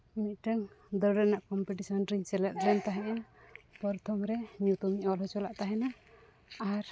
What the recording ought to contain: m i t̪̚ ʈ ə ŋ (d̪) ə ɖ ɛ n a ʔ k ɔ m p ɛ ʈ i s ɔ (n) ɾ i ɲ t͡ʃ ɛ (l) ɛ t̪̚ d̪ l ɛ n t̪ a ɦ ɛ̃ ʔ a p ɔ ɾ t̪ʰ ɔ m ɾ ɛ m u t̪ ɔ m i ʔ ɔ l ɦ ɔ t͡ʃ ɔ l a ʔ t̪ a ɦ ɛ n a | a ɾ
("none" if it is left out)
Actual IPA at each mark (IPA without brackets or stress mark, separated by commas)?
d̪, n, l